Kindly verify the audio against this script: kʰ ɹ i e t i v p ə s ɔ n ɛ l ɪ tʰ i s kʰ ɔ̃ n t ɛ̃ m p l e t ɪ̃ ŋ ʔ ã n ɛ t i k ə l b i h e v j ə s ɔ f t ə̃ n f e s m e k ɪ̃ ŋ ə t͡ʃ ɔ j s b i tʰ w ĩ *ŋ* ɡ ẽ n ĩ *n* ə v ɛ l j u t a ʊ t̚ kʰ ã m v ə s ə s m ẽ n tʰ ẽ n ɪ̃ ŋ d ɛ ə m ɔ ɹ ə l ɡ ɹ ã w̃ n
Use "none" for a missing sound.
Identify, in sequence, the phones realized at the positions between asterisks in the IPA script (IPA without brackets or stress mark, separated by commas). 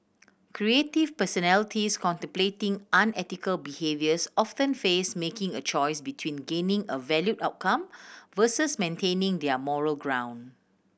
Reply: n, ŋ